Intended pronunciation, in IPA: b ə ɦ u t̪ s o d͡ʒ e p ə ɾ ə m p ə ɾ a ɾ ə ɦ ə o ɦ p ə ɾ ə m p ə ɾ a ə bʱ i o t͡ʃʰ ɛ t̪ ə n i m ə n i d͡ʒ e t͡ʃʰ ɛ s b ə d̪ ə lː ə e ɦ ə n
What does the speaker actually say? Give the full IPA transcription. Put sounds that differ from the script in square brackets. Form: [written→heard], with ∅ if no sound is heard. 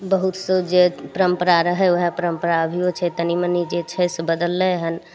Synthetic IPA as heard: b ə ɦ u t̪ s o d͡ʒ e p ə ɾ ə m p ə ɾ a ɾ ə ɦ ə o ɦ p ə ɾ ə m p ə ɾ a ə bʱ i o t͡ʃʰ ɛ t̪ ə n i m ə n i d͡ʒ e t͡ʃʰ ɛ s b ə d̪ ə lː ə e ɦ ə n